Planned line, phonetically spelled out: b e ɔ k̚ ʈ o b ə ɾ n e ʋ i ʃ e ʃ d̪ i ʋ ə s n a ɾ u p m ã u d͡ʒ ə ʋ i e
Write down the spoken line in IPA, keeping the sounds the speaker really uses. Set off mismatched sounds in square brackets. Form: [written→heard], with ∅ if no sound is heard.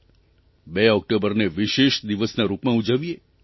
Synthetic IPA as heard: b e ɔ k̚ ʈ o b ə ɾ n e ʋ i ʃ e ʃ d̪ i ʋ ə s n a ɾ u p m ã u d͡ʒ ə ʋ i e